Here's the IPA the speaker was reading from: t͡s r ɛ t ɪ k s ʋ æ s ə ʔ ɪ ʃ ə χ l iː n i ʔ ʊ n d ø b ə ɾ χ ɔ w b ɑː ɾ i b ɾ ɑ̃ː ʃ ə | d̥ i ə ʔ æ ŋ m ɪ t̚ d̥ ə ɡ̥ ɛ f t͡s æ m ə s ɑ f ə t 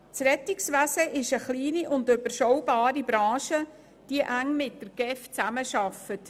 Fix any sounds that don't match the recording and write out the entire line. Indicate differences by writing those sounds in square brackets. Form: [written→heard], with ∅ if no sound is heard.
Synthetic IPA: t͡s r ɛ t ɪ k s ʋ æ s ə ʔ ɪ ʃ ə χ l iː n i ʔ ʊ n d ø b ə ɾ [χ→ʃ] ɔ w b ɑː ɾ i b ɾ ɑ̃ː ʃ ə | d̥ i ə ʔ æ ŋ m ɪ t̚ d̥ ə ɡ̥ ɛ f t͡s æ m ə [s→ʃ] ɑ f ə t